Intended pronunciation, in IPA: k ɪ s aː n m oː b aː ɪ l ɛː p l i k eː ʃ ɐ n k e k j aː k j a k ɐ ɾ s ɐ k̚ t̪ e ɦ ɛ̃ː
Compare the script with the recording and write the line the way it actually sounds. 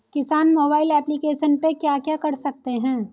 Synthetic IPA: k ɪ s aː n m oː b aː ɪ l ɛː p l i k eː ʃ ə n p e k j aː k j a k ɐ ɾ s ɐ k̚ t̪ e ɦ ɛ̃ː